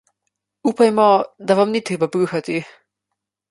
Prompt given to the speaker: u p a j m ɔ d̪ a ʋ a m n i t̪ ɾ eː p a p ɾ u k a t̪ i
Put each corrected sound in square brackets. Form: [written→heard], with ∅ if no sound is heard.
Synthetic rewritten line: u p a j m ɔ d̪ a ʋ a m n i t̪ ɾ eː [p→b] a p ɾ u [k→x] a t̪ i